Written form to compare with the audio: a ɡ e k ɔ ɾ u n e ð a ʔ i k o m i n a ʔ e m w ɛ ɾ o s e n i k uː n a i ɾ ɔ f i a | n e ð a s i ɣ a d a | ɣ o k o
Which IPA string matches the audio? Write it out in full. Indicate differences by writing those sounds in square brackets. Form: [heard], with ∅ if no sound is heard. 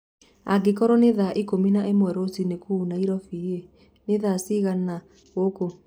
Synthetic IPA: a ɡ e k ɔ ɾ [ɔ] n e ð a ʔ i k o m i n a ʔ e m w ɛ ɾ o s [i] n [e] k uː n a i ɾ ɔ f i [e] | n e ð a s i ɣ a [n] a | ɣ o k o